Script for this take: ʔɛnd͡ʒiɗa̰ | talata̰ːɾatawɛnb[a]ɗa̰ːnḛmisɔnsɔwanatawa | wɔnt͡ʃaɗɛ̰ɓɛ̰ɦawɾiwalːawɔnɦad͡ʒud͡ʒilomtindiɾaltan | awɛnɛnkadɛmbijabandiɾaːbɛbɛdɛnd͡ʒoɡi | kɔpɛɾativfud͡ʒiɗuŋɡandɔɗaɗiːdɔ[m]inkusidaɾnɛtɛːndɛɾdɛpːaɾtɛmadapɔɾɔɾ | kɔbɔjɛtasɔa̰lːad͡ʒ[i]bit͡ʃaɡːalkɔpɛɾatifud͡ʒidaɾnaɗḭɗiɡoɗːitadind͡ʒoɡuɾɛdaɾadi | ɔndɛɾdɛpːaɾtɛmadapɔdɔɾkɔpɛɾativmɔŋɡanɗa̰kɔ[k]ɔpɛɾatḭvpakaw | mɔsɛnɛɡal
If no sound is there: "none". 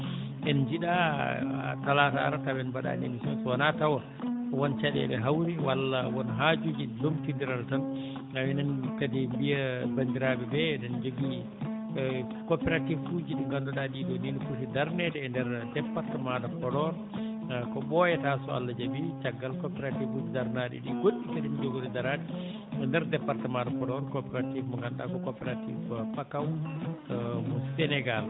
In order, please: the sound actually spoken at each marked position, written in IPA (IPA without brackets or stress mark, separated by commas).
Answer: a, n, a, k